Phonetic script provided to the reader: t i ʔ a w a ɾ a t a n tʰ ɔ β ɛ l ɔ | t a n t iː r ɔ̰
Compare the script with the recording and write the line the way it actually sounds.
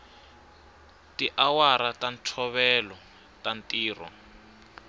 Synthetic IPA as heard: t i ʔ a w a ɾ a t a n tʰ ɔ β ɛ l ɔ | t a n t iː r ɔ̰